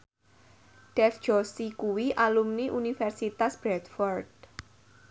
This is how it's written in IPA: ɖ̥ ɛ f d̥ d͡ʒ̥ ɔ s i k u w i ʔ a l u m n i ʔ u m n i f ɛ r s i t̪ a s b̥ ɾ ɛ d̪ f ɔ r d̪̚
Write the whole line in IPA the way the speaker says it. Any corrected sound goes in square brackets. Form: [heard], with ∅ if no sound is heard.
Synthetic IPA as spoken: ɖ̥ ɛ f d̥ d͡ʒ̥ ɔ s i k u w i ʔ a l u m n i ʔ u [∅] n i f ɛ r s i t̪ a s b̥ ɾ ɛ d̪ f ɔ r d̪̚